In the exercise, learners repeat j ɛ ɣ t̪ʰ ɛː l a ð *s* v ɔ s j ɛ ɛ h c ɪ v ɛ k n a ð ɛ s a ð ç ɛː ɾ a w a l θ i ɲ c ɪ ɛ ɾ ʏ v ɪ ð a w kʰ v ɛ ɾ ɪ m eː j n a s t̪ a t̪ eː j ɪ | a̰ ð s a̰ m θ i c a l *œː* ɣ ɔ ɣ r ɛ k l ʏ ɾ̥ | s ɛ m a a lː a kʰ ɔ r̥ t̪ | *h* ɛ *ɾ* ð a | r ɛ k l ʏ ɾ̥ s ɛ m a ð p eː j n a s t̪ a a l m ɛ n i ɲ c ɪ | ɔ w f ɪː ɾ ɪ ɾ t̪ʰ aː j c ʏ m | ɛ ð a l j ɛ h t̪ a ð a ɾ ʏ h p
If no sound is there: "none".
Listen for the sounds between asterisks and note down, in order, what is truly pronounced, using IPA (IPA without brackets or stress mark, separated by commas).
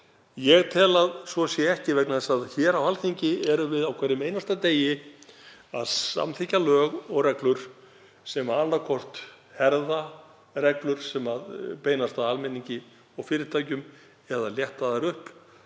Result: s, œː, h, ɾ